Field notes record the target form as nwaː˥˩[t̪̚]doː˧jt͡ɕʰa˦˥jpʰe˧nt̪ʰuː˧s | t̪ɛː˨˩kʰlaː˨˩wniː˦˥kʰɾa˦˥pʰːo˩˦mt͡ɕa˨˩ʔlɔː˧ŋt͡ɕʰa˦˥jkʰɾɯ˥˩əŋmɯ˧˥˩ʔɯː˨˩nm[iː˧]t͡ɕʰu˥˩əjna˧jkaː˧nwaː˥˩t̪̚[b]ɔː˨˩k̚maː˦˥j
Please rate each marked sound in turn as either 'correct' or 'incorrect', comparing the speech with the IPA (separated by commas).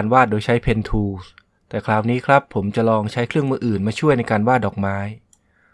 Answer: correct, incorrect, incorrect